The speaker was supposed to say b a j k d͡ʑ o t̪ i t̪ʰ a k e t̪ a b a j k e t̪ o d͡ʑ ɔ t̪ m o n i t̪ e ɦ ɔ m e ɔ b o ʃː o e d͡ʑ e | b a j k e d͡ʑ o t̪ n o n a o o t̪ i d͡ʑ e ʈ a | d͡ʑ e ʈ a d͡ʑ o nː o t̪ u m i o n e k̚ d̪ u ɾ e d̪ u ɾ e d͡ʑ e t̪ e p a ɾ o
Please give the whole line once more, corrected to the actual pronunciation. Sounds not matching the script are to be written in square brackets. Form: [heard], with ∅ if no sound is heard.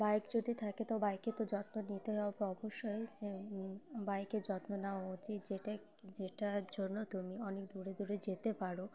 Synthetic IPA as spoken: b a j k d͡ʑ o [d̪] i t̪ʰ a k e t̪ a b a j k e t̪ o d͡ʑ ɔ t̪ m o n i t̪ e ɦ ɔ [b] e ɔ b o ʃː o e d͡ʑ e | b a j k e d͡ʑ [ɔ] t̪ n o n a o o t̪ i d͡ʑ e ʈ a | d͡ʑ e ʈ a d͡ʑ o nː o t̪ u m i [ɔ] n e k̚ d̪ u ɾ e d̪ u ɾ e d͡ʑ e t̪ e p a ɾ o